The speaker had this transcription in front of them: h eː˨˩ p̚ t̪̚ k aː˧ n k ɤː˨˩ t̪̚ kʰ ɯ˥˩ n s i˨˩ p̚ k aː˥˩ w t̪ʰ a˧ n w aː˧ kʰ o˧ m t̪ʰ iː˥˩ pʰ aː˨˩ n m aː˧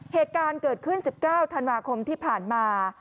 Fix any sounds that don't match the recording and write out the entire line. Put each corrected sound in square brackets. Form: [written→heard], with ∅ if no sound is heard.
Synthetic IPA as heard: h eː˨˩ [p̚→∅] t̪̚ k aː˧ n k ɤː˨˩ t̪̚ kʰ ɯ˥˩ n s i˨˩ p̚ k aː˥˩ w t̪ʰ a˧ n w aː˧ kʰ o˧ m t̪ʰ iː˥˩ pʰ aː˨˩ n m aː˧